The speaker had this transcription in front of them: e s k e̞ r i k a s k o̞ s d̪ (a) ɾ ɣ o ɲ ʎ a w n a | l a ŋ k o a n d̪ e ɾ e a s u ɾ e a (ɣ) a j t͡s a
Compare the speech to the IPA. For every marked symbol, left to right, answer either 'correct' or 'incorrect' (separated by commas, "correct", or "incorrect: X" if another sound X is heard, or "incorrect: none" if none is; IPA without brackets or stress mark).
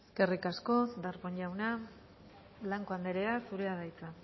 correct, incorrect: ð